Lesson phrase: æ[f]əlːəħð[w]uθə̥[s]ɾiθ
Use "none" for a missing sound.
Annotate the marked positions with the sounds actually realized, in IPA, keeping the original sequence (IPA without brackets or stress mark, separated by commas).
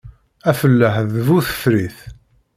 f, v, f